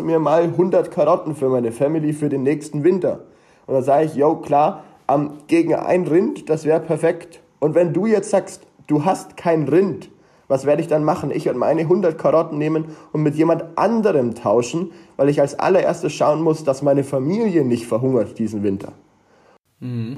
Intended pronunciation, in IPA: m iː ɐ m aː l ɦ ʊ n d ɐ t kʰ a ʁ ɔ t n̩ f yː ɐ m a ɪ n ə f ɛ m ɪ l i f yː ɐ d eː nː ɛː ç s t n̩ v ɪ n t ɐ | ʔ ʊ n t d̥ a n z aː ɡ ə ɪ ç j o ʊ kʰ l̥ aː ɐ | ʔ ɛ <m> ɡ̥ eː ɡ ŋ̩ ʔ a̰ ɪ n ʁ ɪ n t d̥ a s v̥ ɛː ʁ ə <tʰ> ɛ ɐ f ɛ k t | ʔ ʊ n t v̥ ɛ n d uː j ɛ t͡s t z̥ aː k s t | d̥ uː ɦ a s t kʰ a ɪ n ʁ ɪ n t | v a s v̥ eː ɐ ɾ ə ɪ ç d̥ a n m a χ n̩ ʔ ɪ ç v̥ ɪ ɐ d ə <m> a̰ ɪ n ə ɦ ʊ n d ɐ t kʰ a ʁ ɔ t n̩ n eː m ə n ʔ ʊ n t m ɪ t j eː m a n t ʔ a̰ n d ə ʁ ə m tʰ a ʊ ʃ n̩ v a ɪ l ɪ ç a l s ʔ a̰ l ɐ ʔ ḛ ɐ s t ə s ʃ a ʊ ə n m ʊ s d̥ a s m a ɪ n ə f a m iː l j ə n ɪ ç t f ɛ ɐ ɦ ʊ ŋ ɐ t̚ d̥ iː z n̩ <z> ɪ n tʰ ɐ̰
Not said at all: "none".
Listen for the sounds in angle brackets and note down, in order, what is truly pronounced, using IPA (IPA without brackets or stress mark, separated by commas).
m, pʰ, m, v